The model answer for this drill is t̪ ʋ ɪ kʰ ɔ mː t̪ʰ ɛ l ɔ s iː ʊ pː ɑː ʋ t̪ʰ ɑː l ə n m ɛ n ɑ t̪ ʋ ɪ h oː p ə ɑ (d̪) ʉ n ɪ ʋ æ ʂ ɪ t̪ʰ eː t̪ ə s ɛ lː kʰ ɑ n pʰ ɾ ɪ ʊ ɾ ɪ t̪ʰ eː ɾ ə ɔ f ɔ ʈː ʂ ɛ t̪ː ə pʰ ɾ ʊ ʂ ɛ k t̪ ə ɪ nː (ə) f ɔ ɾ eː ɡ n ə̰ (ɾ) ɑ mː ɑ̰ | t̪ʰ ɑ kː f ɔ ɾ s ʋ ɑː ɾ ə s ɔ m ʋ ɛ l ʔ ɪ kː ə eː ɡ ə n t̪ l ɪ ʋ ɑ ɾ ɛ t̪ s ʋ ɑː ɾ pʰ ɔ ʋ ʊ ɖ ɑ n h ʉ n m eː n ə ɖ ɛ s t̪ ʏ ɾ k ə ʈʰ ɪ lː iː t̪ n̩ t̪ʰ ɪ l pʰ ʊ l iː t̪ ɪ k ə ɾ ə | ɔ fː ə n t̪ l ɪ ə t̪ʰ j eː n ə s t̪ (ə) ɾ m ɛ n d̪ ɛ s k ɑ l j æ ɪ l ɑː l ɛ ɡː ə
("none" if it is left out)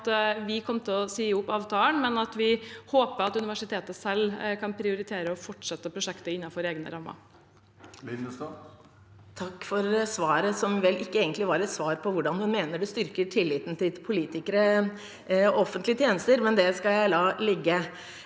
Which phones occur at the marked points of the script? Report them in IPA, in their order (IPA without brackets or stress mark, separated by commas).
t̪, ɑ, ɾ, ə